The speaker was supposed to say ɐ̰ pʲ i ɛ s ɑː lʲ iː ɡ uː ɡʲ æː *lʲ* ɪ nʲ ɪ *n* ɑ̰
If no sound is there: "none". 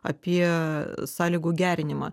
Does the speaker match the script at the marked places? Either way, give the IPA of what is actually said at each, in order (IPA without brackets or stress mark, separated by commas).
ɾʲ, m